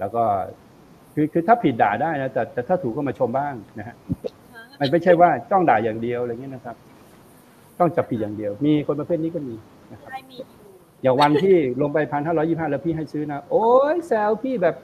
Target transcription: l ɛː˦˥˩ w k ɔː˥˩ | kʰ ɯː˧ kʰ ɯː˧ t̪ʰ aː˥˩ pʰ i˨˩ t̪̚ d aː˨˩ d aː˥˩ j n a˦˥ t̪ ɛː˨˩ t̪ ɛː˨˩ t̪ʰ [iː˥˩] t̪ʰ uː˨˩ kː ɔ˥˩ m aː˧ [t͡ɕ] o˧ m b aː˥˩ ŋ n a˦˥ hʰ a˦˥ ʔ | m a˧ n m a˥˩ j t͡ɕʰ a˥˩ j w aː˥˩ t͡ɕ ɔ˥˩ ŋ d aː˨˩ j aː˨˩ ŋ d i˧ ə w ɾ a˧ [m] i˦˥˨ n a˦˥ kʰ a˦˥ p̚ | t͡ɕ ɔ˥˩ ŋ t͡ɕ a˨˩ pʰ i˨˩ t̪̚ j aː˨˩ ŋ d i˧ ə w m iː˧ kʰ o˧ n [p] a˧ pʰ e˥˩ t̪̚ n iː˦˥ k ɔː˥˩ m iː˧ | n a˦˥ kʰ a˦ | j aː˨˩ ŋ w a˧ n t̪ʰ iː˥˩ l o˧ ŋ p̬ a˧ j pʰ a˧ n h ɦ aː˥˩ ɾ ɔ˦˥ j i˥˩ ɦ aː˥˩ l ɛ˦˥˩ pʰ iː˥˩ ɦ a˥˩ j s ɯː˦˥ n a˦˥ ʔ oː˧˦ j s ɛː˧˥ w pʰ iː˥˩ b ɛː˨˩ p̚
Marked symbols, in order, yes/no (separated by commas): no, no, no, yes